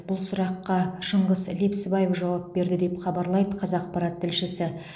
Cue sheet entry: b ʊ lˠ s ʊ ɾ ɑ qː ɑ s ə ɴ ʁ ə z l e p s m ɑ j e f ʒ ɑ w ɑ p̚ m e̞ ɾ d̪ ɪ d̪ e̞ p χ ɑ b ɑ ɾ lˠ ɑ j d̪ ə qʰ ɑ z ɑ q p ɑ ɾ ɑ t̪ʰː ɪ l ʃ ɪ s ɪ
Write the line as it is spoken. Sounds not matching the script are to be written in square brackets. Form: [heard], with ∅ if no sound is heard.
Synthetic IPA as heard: b ʊ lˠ s ʊ ɾ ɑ qː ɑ [ʃ] ə ɴ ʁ ə z l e p s [b] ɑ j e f ʒ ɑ w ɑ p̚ [b] e̞ ɾ d̪ ɪ d̪ e̞ p χ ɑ b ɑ ɾ lˠ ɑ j d̪ ə qʰ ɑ z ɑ q p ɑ ɾ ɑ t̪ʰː ɪ l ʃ ɪ s ɪ